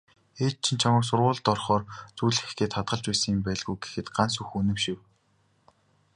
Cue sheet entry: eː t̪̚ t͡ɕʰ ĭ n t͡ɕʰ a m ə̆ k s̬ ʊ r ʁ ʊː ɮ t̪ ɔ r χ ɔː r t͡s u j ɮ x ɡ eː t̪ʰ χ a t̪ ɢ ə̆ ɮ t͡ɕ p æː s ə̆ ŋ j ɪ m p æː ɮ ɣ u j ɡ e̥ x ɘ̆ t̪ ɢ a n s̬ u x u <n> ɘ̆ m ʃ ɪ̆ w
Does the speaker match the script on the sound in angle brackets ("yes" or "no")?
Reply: yes